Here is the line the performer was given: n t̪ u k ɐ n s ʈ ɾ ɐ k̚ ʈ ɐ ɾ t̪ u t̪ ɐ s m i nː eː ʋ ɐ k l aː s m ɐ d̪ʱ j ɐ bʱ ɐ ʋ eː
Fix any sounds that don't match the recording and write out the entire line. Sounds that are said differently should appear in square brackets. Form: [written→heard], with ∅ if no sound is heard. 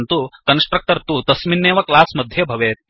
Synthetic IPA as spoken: n t̪ u k ɐ n s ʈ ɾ ɐ k̚ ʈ ɐ ɾ t̪ u t̪ ɐ s m i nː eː ʋ ɐ k l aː s m ɐ d̪ʱ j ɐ bʱ ɐ ʋ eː

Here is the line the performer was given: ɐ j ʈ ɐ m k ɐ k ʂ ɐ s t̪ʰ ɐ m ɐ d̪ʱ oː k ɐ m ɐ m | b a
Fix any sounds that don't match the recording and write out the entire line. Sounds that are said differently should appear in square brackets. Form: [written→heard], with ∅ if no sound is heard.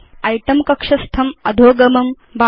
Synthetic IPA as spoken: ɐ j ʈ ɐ m k ɐ k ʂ ɐ s t̪ʰ ɐ m ɐ d̪ʱ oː [k→ɡ] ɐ m ɐ m | b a

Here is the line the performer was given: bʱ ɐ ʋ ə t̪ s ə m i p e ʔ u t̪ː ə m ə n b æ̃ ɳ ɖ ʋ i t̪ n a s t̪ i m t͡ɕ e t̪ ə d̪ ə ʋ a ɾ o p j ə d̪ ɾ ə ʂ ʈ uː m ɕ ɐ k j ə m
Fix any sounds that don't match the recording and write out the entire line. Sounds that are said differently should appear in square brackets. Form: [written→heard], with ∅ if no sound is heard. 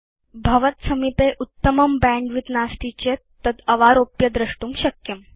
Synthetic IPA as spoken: bʱ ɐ ʋ ə t̪ s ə m i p e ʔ u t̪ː ə m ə [n→m] b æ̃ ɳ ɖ ʋ i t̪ n a s t̪ i [m→∅] t͡ɕ e t̪ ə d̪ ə ʋ a ɾ o p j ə d̪ ɾ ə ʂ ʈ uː m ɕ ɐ k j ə m

